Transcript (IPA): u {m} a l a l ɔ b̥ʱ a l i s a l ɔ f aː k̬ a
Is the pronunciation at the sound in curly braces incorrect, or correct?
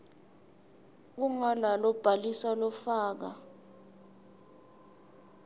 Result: incorrect: ŋ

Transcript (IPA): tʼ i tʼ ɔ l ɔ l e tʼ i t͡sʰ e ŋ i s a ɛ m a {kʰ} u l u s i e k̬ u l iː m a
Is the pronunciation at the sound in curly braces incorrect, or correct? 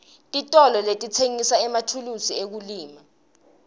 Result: incorrect: tʰ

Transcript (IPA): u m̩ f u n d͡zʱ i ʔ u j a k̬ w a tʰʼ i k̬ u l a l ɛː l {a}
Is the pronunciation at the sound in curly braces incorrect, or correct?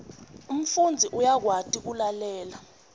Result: correct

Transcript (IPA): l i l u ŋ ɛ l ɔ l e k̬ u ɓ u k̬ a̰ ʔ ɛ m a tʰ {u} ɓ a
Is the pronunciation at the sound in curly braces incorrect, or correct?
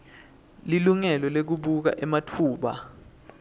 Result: incorrect: uː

